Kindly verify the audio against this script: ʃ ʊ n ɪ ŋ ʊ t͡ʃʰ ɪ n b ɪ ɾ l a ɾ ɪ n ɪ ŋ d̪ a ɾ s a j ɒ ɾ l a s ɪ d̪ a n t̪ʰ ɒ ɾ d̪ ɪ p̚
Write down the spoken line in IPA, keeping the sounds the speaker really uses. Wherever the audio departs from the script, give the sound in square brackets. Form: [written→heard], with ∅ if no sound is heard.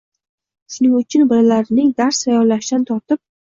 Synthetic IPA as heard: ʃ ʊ n ɪ ŋ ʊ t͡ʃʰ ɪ n b ɪ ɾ l a ɾ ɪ n ɪ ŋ d̪ a ɾ s a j ɒ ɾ l a [s→ʃ] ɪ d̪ a n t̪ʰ ɒ ɾ [d̪→t̪] ɪ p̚